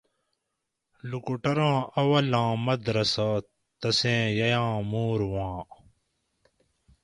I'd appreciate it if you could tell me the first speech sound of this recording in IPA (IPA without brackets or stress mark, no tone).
l